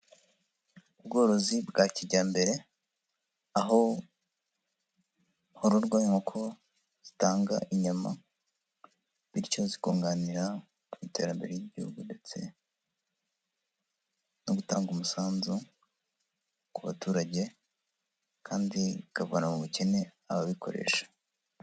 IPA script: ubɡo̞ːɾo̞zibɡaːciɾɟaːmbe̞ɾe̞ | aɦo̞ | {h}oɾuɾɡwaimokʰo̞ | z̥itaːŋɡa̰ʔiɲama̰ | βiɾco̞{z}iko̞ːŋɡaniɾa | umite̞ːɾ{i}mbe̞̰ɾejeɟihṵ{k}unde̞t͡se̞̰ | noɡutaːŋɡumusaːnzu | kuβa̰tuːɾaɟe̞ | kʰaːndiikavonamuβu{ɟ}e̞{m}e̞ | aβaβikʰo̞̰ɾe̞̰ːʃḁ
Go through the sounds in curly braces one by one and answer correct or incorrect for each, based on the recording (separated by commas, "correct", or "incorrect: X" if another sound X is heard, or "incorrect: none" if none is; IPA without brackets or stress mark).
correct, correct, incorrect: a, incorrect: ɡ, incorrect: c, incorrect: n